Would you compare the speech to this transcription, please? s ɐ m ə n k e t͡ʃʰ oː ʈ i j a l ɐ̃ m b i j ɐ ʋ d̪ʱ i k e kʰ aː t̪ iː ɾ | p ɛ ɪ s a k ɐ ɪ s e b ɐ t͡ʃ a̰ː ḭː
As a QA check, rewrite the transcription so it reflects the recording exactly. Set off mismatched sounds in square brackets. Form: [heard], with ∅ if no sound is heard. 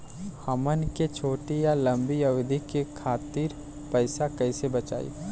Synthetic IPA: [h] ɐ m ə n k e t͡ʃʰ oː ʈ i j a l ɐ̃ m b i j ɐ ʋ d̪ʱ i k e kʰ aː t̪ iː ɾ | p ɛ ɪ s a k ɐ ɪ s e b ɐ t͡ʃ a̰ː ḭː